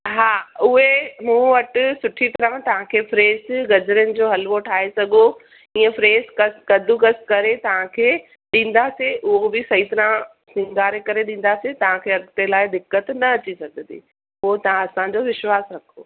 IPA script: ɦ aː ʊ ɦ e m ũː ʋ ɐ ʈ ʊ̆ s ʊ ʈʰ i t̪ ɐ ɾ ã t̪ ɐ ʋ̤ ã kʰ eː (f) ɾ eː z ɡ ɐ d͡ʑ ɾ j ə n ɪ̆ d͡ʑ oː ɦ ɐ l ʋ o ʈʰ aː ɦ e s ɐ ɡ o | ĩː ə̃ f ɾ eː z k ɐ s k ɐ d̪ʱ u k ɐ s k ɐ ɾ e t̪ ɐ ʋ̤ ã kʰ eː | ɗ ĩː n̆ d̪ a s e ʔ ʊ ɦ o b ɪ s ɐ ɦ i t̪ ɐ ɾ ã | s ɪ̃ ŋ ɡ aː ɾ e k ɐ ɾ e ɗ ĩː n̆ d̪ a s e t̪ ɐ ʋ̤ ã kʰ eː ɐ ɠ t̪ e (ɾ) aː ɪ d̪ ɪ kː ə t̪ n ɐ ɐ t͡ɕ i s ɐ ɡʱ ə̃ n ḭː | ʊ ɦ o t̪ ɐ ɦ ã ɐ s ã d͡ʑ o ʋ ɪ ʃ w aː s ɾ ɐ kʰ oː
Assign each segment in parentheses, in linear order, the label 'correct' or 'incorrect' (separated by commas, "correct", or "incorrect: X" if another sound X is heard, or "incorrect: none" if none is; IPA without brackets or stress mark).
correct, incorrect: l